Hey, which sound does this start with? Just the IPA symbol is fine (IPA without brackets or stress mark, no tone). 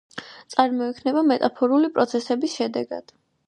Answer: t̪